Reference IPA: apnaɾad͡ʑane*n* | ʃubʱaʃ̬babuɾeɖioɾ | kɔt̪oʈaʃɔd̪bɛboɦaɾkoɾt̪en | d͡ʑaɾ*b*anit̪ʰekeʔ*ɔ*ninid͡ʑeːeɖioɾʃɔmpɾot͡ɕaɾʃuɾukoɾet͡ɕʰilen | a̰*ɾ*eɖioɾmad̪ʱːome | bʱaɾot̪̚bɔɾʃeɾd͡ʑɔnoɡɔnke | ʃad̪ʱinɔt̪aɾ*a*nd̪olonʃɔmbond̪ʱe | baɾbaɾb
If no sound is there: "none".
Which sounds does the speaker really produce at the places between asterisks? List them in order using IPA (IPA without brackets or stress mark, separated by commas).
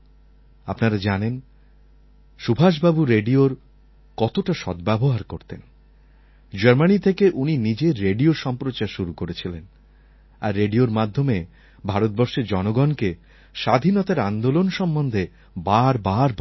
n, m, u, ɾː, a